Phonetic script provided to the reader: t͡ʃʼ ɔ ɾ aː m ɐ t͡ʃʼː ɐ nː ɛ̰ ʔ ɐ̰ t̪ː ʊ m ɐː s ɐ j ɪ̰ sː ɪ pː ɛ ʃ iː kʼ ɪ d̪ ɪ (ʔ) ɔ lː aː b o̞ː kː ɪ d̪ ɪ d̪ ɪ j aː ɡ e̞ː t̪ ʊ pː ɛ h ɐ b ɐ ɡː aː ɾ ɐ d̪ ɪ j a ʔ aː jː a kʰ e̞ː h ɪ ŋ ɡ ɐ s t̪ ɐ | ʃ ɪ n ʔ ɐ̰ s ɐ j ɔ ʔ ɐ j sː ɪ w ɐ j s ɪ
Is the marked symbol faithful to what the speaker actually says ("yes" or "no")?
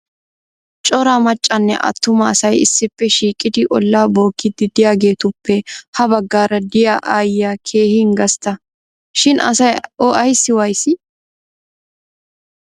yes